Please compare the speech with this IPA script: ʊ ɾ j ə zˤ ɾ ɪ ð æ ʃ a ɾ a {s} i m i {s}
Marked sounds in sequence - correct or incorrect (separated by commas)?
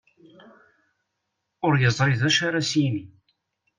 correct, incorrect